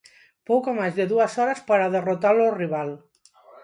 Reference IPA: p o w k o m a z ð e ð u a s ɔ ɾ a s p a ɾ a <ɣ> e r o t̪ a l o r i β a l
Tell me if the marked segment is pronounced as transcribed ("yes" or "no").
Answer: no